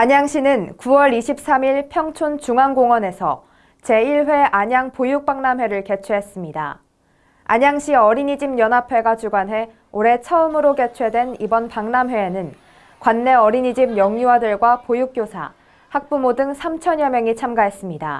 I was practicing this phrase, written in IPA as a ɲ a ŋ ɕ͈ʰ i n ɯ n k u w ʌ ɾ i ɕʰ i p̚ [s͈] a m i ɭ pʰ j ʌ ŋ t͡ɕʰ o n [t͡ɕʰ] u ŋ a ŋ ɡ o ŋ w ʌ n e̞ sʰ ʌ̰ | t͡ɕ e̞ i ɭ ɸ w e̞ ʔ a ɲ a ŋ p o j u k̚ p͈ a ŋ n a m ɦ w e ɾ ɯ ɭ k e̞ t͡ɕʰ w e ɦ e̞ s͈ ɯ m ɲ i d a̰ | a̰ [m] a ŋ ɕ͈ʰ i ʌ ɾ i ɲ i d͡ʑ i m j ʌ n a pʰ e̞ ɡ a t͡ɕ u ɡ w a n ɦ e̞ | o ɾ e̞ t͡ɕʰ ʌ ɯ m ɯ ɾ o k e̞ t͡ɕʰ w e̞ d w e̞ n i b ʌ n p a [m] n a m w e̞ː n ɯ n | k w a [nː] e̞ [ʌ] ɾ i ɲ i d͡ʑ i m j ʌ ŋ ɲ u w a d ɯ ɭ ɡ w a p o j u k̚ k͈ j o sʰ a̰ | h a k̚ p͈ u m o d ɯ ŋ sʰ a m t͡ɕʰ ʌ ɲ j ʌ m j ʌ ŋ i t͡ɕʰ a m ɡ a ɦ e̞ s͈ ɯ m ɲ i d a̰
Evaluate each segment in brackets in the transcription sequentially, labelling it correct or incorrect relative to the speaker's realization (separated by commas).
correct, incorrect, incorrect, incorrect, correct, correct